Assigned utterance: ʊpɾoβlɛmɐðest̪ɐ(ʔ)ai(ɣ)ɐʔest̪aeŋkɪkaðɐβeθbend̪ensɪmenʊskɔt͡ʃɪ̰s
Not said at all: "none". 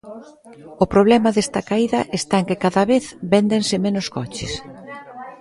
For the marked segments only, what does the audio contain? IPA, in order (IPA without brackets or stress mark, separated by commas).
k, ð